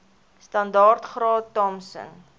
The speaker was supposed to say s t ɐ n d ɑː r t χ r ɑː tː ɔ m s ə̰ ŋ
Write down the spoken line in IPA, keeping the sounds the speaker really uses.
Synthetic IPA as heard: s t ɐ n d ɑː r t χ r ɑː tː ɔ m s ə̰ n